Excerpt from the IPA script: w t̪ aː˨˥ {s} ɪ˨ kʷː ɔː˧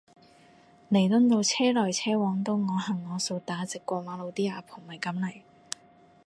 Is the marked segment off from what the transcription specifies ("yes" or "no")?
yes